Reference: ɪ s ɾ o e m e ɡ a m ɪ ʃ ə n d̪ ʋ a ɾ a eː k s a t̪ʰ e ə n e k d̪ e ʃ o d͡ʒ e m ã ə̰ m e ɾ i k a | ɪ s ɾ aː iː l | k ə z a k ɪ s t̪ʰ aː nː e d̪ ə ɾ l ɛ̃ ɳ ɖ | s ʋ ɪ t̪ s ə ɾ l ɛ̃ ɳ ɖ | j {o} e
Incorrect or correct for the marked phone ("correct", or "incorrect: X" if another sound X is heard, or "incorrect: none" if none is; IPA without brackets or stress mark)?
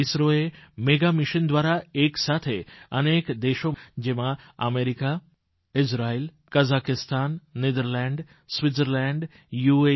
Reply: incorrect: u